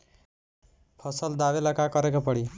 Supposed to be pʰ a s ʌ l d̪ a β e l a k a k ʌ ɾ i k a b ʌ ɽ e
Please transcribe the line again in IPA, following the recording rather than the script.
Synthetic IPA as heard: pʰ ʌ s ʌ l d̪ a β e l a k a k ʌ ɾ e k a p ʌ ɽ i